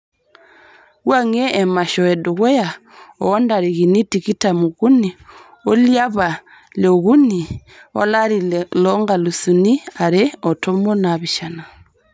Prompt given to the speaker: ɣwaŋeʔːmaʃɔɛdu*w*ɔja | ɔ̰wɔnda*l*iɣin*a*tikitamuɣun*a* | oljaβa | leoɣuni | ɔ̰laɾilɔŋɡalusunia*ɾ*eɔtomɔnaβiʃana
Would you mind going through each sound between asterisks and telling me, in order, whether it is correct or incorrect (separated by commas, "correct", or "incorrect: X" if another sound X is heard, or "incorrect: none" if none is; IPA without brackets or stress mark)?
incorrect: ɣ, incorrect: ɾ, incorrect: i, incorrect: i, correct